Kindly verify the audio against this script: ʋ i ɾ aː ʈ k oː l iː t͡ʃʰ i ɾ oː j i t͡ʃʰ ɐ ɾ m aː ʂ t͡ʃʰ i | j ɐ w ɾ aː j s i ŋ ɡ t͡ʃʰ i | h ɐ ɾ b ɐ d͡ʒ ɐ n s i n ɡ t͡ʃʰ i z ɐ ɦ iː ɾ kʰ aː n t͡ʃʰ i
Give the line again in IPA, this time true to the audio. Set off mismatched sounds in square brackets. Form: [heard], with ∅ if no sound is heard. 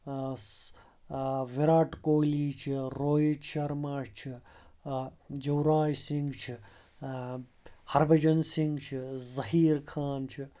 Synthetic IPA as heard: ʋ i ɾ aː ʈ k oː l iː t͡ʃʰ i ɾ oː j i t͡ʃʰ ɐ ɾ m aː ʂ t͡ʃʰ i | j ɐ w ɾ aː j s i ŋ ɡ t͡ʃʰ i | h ɐ ɾ b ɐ d͡ʒ ɐ n s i [ŋ] ɡ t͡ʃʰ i z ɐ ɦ iː ɾ kʰ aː n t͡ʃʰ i